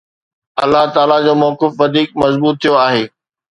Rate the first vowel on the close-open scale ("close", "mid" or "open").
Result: open